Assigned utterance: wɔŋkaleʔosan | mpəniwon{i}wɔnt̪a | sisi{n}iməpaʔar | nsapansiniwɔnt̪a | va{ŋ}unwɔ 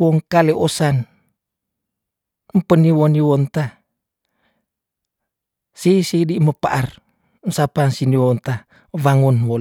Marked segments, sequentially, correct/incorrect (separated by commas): correct, incorrect, correct